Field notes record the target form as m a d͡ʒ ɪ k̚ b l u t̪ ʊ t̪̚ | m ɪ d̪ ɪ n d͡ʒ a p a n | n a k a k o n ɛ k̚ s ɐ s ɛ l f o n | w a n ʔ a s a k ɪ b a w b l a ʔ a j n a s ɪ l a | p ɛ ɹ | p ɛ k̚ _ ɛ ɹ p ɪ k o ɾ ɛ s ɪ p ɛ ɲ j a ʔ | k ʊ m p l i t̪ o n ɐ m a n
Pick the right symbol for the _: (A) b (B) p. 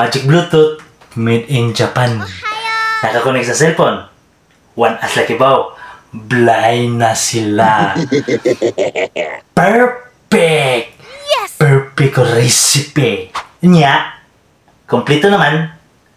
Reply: B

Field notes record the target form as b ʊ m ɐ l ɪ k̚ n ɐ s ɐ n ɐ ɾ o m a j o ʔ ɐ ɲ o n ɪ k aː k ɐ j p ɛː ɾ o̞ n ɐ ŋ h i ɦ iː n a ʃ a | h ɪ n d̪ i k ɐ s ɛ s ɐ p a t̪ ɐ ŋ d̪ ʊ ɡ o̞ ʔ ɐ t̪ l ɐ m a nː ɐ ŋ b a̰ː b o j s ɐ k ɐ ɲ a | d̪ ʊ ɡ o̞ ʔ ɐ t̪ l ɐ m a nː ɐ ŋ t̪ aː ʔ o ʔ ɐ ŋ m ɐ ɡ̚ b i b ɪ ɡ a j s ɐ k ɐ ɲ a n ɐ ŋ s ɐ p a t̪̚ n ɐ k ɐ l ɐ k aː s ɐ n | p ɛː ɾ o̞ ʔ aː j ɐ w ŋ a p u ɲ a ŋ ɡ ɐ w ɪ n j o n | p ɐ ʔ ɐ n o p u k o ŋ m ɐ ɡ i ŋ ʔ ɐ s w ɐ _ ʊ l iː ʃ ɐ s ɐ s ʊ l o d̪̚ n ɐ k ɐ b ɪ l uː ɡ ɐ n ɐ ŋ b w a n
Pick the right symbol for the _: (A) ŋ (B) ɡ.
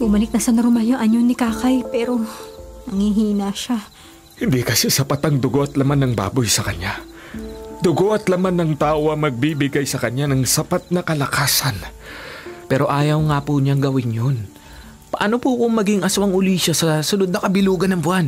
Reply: A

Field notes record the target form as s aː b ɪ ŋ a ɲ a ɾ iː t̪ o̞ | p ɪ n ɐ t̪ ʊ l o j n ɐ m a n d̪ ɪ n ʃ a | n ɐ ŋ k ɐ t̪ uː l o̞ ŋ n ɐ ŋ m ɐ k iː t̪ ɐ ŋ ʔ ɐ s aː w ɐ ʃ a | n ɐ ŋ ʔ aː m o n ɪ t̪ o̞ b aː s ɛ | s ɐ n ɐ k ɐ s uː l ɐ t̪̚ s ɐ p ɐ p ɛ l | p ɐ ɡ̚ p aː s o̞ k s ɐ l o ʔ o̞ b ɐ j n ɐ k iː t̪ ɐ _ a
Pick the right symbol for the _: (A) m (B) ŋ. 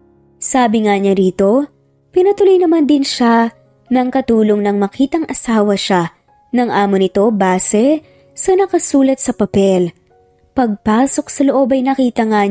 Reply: B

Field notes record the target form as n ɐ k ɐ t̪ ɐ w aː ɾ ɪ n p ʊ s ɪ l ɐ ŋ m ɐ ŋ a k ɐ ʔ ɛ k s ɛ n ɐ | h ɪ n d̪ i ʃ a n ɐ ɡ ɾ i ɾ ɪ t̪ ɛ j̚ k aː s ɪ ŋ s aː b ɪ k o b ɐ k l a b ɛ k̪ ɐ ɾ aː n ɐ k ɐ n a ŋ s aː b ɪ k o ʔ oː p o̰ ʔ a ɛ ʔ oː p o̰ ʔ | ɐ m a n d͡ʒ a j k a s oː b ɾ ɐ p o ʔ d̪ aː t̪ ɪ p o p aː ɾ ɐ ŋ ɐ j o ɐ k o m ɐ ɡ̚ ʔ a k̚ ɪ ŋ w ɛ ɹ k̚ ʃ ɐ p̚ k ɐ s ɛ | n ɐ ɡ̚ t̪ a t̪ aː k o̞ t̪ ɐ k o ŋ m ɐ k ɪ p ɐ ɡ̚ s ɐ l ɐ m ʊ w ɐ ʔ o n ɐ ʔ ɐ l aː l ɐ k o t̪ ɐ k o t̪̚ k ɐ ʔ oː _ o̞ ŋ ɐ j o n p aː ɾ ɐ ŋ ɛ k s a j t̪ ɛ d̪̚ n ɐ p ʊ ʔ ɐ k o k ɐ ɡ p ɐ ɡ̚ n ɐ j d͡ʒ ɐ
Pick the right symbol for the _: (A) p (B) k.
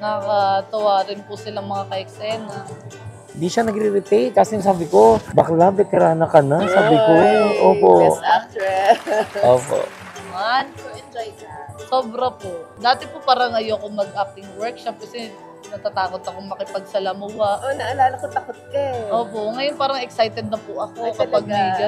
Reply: A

